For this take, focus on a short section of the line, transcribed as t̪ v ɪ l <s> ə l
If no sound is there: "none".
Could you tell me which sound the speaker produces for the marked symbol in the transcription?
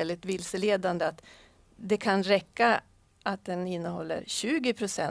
s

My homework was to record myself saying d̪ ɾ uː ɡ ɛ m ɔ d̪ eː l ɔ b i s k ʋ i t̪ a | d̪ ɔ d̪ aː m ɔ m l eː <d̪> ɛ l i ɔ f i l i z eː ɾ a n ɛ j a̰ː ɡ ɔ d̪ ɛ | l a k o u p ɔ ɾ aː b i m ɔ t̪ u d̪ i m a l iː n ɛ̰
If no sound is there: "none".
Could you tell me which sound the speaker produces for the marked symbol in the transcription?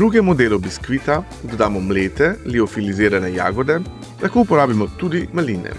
t̪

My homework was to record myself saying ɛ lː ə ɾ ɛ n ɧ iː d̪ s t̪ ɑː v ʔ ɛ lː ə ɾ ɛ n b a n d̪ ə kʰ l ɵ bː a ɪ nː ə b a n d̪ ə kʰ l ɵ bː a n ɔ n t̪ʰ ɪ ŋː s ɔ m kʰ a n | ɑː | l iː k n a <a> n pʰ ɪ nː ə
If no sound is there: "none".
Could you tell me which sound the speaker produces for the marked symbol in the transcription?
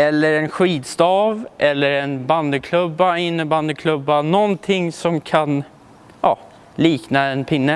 ɛ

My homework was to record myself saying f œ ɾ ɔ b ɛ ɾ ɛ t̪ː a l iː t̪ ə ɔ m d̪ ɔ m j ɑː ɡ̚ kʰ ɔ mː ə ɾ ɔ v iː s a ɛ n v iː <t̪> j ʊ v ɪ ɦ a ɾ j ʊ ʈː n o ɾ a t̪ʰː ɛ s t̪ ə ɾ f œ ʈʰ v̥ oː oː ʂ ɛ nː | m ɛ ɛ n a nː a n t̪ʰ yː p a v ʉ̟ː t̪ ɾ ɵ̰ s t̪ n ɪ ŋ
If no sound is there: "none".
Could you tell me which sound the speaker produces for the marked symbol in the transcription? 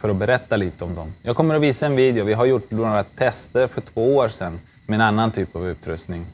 d̪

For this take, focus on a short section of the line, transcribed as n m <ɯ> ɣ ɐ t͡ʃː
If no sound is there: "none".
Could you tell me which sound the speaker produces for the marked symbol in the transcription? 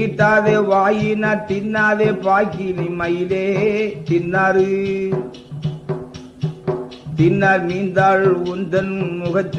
ʊ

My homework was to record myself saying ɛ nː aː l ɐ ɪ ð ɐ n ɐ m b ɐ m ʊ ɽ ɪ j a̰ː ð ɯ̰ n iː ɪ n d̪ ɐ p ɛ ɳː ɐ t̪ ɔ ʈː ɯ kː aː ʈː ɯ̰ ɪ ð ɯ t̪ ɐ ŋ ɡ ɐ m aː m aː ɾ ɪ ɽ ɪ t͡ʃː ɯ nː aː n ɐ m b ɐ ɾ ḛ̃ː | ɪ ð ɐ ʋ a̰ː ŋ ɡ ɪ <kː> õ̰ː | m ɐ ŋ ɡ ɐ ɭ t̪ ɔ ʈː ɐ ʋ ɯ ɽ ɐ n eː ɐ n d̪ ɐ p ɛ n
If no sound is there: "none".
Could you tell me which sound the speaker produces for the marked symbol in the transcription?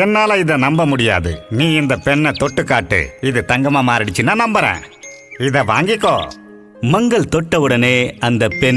kː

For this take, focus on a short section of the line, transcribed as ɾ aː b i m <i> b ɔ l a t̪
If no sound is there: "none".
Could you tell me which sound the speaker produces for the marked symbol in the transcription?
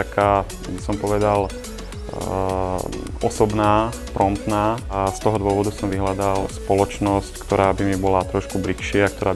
i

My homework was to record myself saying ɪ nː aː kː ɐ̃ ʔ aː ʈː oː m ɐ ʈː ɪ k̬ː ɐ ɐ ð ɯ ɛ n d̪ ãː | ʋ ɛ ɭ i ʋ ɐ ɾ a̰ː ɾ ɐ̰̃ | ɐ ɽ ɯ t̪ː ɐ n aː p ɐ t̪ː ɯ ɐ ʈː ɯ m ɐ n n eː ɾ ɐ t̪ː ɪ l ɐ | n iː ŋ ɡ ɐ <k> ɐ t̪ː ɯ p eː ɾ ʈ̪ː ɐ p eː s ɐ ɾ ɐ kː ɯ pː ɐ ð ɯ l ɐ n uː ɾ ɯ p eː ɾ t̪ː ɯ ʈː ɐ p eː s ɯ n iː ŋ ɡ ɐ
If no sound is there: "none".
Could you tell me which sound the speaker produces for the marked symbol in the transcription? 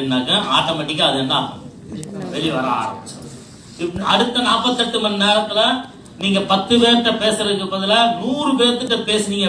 p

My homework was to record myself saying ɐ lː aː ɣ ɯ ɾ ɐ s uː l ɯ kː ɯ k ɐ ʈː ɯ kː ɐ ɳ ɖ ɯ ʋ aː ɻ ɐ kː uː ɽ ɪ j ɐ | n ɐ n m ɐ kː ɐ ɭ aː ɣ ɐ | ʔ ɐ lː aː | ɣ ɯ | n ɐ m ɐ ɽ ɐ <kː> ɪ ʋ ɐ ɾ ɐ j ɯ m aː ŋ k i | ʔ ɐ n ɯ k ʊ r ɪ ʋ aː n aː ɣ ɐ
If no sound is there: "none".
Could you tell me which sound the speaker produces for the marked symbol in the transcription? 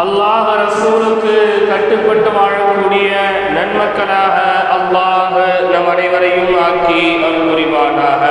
none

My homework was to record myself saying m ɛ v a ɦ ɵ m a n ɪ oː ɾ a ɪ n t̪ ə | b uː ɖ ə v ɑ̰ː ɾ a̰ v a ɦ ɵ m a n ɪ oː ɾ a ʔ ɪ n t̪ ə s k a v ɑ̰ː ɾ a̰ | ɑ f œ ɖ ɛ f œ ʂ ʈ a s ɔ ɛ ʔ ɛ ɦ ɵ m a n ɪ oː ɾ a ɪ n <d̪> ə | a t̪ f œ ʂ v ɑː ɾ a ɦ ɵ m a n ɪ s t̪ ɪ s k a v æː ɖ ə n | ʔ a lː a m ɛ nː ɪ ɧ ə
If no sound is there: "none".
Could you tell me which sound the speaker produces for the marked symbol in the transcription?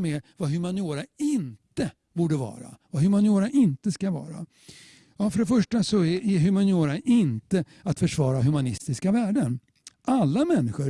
t̪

